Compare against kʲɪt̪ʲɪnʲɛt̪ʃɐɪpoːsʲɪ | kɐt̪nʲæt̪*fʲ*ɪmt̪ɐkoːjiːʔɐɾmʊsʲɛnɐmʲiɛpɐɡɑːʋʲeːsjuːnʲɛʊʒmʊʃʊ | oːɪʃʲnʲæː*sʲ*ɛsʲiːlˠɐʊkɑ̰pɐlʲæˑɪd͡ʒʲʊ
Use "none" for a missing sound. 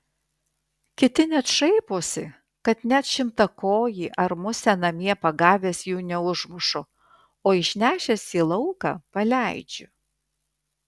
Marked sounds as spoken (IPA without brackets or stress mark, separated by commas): ʃʲ, ʃʲ